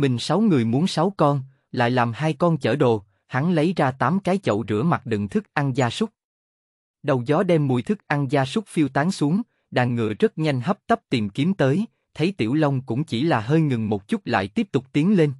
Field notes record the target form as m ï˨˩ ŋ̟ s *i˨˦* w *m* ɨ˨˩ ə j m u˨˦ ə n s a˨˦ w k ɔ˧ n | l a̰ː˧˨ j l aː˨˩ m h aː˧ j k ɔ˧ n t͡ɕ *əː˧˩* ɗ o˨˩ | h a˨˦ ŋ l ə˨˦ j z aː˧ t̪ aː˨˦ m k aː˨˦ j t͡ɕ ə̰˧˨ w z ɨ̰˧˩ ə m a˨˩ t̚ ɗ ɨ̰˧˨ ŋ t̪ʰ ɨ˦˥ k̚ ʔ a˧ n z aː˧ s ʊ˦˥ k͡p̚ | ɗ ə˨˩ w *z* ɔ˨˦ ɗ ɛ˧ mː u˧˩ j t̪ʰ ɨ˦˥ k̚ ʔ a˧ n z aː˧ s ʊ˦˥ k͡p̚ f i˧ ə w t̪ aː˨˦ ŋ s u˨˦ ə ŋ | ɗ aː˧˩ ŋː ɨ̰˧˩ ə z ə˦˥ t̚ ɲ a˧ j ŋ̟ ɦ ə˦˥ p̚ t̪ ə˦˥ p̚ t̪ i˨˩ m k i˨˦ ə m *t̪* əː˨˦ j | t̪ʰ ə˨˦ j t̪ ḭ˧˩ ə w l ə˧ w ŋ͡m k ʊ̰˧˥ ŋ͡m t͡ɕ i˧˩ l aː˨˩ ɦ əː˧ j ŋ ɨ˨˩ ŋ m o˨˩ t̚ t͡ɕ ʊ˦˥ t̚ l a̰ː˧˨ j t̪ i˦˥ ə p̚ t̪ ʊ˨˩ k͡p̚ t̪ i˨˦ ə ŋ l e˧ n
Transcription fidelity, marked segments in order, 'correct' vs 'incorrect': incorrect: a˨˦, incorrect: ŋ, correct, correct, correct

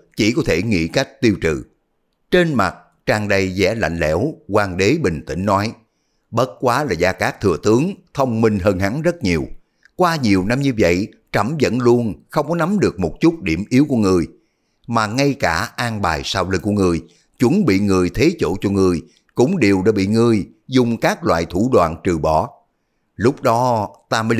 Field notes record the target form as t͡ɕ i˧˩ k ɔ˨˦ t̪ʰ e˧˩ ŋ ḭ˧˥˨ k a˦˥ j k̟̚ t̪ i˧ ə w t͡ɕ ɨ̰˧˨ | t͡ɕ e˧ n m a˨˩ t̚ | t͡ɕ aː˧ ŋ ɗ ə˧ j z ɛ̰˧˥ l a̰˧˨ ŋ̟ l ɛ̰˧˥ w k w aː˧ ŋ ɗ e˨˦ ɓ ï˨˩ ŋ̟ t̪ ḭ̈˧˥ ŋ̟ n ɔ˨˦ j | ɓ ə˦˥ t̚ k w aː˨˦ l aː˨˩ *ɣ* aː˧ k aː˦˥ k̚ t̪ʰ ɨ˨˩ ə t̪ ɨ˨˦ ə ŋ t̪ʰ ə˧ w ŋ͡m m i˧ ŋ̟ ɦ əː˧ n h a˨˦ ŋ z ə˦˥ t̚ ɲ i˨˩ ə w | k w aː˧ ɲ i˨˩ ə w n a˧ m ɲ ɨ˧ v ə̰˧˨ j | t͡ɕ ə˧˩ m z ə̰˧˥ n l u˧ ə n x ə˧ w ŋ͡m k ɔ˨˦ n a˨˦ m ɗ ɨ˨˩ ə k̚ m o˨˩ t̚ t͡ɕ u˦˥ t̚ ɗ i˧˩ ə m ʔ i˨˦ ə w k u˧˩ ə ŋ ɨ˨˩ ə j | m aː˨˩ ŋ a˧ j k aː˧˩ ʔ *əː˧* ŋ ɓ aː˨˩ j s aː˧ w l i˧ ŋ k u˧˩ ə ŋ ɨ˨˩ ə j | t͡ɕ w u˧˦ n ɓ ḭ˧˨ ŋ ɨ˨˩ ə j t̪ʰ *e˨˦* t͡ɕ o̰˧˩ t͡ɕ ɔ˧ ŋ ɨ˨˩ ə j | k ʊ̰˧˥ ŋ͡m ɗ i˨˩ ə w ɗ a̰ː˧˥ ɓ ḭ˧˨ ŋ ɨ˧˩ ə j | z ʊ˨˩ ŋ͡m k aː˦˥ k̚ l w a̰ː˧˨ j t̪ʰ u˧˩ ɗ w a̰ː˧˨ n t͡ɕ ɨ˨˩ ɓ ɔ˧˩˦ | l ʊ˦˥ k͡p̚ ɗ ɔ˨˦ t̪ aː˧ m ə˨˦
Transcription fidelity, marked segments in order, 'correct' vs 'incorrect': incorrect: z, incorrect: aː˧, correct

